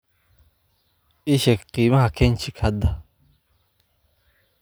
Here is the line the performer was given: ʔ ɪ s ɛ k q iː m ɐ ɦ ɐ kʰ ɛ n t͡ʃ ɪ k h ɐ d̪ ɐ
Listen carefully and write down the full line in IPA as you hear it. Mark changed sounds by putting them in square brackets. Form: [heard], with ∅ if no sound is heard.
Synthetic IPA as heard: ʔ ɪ [ʃ] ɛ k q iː m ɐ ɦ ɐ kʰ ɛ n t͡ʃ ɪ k h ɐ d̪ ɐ